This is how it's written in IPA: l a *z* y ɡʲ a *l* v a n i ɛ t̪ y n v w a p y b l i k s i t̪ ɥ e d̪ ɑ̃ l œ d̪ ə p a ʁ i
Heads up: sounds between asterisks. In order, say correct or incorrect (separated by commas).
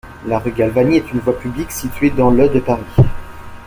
incorrect, correct